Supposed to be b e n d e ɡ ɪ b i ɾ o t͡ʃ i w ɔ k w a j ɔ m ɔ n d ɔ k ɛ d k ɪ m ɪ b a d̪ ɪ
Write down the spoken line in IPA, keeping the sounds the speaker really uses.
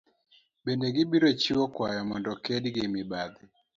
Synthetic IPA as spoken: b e n d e ɡ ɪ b i ɾ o t͡ʃ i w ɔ k w a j ɔ m ɔ n d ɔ k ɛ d ɡ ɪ m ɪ b a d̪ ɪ